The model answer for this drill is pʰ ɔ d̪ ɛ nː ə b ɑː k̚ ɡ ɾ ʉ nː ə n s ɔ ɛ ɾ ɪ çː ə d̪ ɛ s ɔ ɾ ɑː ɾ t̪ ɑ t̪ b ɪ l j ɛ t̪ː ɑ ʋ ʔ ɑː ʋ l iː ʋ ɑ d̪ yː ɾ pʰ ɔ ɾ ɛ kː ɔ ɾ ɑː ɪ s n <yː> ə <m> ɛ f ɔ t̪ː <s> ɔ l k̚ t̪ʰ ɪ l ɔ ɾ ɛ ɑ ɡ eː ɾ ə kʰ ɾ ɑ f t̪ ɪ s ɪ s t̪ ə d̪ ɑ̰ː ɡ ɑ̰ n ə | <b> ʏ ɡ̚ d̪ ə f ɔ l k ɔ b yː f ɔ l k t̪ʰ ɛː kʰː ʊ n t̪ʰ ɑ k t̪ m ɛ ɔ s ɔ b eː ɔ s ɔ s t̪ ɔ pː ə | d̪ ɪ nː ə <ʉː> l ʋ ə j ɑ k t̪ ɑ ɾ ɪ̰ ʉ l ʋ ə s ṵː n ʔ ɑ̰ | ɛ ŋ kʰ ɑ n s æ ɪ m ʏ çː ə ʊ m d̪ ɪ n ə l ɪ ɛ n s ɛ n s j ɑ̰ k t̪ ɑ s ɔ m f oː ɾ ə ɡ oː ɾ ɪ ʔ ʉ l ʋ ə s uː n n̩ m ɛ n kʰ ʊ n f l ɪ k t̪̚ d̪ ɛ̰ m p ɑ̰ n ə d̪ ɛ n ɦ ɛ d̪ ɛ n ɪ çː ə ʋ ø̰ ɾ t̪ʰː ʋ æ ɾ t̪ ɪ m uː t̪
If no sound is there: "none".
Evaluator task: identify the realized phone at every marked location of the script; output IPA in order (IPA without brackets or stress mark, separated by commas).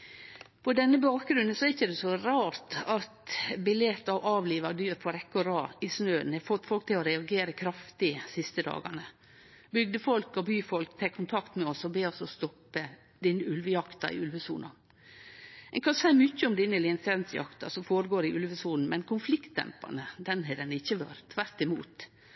øː, n, f, b, ʉ